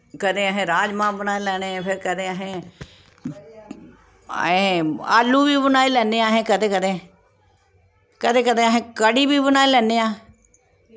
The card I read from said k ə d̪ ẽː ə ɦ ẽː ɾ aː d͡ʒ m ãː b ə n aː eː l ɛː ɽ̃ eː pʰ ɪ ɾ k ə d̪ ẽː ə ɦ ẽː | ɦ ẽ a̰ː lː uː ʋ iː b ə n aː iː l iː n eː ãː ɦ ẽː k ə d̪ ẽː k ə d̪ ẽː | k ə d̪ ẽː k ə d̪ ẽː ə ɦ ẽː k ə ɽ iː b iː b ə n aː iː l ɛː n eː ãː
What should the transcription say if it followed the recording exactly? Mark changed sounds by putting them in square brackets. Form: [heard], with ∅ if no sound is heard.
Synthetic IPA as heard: k ə d̪ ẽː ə ɦ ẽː ɾ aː d͡ʒ m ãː b ə n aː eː l ɛː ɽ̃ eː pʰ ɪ ɾ k ə d̪ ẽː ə ɦ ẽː | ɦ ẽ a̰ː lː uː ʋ iː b ə n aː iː l [ɛː] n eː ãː ɦ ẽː k ə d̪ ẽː k ə d̪ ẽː | k ə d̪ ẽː k ə d̪ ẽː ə ɦ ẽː k ə ɽ iː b iː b ə n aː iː l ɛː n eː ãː